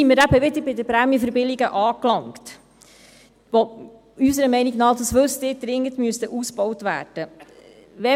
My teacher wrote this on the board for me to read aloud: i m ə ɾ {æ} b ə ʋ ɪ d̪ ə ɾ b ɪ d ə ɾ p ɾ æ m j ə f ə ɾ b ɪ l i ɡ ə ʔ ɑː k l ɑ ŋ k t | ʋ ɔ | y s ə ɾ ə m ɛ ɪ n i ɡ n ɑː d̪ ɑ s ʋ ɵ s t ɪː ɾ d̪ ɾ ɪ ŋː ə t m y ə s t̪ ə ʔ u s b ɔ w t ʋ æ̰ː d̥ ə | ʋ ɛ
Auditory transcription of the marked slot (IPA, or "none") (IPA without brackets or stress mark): æ